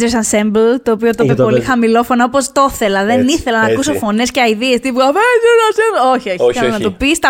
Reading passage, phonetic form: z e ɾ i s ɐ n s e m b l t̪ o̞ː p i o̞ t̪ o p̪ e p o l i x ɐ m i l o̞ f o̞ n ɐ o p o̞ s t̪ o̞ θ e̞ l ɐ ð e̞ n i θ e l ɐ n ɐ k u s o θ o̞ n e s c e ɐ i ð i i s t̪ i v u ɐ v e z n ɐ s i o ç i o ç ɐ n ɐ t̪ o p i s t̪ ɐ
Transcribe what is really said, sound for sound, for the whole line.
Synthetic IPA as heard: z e ɾ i s ɐ n s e m b l t̪ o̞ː p i o̞ t̪ o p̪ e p o l i x ɐ m i l o̞ f o̞ n ɐ o p o̞ s t̪ o̞ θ e̞ l ɐ ð e̞ n i θ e l ɐ n ɐ k u s o f o̞ n e s c e ɐ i ð i e s t̪ i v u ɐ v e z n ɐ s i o ç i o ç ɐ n ɐ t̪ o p i s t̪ ɐ